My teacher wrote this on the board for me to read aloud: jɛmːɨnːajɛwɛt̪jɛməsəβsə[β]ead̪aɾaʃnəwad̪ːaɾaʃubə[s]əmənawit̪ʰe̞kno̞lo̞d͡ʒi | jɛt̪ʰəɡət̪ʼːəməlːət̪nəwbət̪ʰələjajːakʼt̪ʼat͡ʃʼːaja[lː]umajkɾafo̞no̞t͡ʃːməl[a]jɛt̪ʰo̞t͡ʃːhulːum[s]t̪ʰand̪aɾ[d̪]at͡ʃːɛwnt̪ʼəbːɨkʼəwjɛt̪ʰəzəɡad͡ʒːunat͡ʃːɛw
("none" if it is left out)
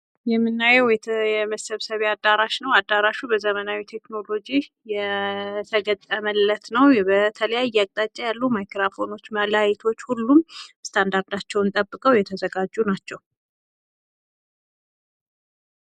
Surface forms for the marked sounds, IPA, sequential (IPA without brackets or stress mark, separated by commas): β, z, lː, a, s, d̪